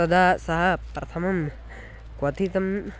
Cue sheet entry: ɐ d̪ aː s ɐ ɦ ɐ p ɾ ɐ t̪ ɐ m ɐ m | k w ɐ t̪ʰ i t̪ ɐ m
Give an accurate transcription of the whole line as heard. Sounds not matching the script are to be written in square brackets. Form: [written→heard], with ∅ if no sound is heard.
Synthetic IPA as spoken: ɐ d̪ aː s ɐ ɦ ɐ p ɾ ɐ [t̪→t̪ʰ] ɐ m ɐ m | k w ɐ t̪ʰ i t̪ ɐ m